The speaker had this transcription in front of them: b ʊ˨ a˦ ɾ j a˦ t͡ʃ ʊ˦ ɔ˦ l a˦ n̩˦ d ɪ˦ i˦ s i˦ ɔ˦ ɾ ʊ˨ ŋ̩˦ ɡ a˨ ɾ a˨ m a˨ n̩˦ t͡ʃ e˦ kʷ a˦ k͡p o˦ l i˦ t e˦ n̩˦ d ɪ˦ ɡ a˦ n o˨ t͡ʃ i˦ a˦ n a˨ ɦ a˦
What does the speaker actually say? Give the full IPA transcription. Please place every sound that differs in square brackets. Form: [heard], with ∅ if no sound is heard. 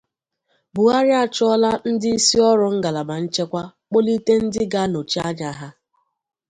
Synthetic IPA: b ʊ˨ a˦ ɾ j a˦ t͡ʃ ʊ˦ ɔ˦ l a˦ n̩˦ d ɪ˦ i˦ s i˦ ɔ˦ ɾ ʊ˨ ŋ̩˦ ɡ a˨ [l] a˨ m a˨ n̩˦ t͡ʃ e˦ kʷ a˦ k͡p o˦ l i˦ t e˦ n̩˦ d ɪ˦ ɡ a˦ n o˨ t͡ʃ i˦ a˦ [ɲ] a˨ ɦ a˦